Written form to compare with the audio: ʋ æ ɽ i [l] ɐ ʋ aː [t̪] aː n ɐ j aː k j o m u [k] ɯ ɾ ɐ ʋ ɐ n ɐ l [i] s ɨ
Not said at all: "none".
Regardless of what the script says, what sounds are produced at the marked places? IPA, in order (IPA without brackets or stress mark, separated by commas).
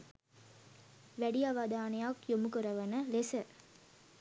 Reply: none, d̪, k, e